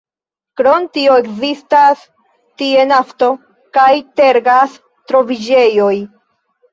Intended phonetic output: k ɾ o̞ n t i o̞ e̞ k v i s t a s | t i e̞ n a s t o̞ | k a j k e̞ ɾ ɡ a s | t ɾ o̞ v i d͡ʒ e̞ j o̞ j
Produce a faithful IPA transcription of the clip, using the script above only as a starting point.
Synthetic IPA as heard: k ɾ o̞ n t i o̞ e̞ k z i s t a s | t i e̞ n a f t o̞ | k a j t e̞ ɾ ɡ a s | t ɾ o̞ v i d͡ʒ e̞ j o̞ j